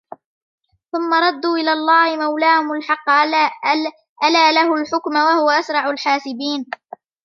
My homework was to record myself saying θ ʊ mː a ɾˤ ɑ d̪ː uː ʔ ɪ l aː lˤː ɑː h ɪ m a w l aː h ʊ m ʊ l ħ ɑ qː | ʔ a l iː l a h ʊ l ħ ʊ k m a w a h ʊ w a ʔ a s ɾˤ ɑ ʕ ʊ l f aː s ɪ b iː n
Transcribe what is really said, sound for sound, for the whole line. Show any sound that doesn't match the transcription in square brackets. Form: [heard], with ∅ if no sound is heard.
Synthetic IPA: θ ʊ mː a ɾˤ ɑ d̪ː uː ʔ ɪ l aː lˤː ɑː h ɪ m a w l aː h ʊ m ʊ l ħ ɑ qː | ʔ a l [aː] l a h ʊ l ħ ʊ k m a w a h ʊ w a ʔ a s ɾˤ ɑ ʕ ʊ l [ħ] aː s ɪ b iː n